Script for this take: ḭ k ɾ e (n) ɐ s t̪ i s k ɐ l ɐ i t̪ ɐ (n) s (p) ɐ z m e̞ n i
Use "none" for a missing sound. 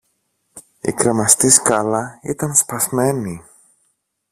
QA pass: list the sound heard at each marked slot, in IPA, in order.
m, n, p

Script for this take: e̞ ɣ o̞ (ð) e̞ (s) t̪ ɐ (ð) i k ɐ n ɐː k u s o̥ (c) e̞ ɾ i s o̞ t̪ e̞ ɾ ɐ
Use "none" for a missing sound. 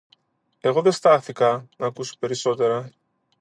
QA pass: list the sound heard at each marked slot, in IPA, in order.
ð, s, θ, p

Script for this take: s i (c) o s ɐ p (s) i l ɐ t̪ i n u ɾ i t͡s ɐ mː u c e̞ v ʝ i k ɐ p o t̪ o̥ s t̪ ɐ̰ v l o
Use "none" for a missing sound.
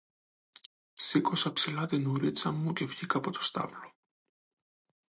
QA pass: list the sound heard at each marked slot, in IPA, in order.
k, s

